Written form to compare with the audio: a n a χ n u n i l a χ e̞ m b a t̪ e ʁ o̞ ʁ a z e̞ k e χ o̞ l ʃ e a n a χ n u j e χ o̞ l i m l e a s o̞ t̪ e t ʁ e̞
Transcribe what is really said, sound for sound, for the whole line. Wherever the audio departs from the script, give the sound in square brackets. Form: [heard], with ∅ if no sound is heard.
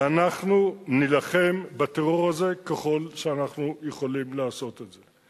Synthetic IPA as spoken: a n a χ n u n i l a χ e̞ m b a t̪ e ʁ o̞ ʁ a z e̞ k e χ o̞ l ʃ e a n a χ n u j e χ o̞ l i m l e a s o̞ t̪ e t [z] e̞